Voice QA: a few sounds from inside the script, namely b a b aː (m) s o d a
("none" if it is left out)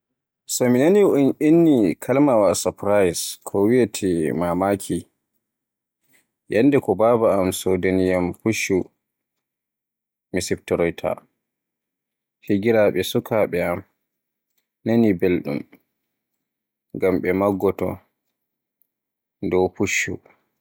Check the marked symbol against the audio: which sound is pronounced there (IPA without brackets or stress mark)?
m